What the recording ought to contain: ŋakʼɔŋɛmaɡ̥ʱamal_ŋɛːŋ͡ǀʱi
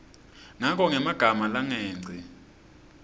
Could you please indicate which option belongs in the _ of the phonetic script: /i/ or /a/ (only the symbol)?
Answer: a